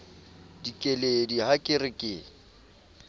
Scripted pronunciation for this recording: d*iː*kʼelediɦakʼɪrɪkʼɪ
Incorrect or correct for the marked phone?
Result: incorrect: i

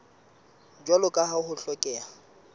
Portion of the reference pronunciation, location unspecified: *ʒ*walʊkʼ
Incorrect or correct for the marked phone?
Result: incorrect: d͡ʒ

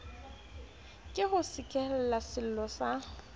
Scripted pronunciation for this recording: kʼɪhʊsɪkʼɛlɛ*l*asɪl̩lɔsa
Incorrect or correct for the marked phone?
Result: correct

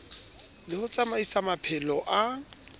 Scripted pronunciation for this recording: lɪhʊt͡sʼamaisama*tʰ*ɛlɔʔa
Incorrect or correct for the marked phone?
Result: incorrect: pʰ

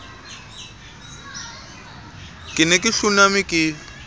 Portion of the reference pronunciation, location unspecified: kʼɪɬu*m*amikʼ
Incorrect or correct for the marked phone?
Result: incorrect: n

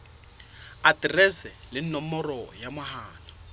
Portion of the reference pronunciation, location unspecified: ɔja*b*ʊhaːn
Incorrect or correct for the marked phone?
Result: incorrect: m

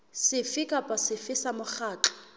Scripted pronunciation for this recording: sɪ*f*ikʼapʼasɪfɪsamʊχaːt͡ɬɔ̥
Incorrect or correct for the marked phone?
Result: correct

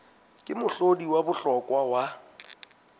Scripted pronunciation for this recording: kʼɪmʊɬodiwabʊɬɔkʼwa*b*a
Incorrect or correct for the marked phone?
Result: incorrect: w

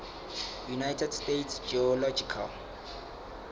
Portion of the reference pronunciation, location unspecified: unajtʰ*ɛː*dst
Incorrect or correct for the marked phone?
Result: incorrect: ɛ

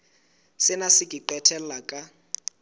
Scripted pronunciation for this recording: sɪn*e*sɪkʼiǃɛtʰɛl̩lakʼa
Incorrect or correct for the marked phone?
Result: incorrect: a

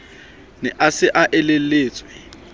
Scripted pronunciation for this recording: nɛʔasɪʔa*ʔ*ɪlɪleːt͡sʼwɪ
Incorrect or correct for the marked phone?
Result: correct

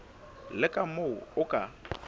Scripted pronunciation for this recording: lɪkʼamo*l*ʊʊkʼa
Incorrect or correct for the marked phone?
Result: incorrect: none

